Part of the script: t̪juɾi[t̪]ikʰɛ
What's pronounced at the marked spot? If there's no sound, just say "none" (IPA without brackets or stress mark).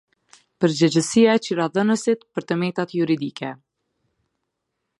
d̪